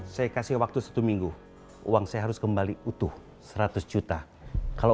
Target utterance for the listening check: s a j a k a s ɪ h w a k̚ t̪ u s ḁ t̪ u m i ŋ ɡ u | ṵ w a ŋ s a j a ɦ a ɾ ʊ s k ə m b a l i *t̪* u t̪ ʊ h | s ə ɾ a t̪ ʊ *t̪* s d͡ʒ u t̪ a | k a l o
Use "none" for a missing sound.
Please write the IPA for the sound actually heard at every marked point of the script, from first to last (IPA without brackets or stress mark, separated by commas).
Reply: none, none